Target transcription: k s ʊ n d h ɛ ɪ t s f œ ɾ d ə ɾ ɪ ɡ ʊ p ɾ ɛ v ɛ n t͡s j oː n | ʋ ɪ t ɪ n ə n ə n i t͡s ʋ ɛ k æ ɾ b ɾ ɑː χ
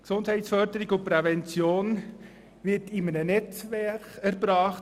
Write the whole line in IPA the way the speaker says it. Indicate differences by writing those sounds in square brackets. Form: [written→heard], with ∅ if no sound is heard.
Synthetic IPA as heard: k s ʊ n d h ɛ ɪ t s f œ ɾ d ə ɾ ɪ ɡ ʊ p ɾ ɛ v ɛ n t͡s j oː n | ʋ ɪ t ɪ [n→m] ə n ə n [i→ɛ] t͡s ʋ ɛ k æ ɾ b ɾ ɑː χ